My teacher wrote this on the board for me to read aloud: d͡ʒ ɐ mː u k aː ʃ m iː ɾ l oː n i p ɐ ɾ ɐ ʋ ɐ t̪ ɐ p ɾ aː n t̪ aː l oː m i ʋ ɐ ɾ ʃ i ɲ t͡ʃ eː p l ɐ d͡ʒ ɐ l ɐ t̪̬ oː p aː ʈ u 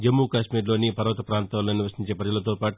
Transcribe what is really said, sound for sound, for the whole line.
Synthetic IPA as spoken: d͡ʒ ɐ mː u k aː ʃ m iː ɾ l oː n i p ɐ ɾ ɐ ʋ ɐ t̪ ɐ p ɾ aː n t̪ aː l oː n i ʋ ɐ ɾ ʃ i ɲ t͡ʃ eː p ɾ ɐ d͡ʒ ɐ l ɐ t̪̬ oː p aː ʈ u